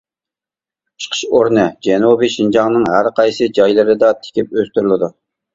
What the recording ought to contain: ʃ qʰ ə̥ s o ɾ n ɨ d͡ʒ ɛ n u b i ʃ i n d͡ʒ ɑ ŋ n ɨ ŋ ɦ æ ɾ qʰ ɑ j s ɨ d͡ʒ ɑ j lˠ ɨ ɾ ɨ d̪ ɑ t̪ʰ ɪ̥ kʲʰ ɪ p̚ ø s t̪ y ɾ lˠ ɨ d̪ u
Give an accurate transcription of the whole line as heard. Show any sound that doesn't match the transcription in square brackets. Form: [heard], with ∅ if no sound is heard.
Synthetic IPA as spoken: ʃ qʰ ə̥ [ʃ] o ɾ n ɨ d͡ʒ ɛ n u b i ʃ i n d͡ʒ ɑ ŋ n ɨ ŋ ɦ æ ɾ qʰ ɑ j s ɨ d͡ʒ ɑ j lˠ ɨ ɾ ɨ d̪ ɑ t̪ʰ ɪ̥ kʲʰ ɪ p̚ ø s t̪ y ɾ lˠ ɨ d̪ u